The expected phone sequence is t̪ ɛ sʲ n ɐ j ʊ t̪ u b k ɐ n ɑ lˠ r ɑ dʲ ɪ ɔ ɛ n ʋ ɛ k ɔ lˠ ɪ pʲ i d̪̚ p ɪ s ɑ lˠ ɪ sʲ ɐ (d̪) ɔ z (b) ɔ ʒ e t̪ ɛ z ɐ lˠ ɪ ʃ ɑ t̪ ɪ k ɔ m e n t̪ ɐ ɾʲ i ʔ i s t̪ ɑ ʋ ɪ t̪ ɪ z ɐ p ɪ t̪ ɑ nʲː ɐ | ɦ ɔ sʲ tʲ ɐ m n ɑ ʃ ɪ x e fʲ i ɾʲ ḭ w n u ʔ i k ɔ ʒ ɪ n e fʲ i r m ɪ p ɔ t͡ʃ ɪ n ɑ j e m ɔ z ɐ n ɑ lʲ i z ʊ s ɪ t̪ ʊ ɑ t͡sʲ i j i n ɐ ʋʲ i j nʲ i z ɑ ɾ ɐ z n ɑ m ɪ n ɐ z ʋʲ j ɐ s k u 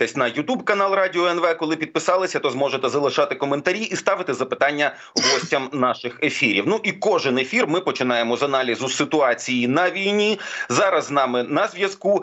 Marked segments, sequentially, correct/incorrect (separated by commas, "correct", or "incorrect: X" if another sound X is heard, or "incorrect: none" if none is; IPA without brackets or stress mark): incorrect: t̪, incorrect: m